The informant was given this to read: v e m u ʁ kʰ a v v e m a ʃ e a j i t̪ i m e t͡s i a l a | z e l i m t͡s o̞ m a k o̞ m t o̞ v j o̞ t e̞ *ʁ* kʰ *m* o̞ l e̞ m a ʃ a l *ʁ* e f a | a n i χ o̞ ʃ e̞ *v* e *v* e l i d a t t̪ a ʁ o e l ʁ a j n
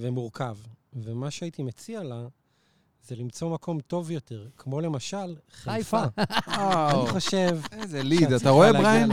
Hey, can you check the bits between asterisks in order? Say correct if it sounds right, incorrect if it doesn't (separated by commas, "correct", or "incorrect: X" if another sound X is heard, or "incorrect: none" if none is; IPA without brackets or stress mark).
correct, correct, incorrect: χ, correct, incorrect: z